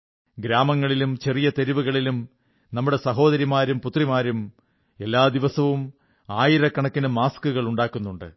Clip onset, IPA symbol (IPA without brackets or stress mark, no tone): ɡ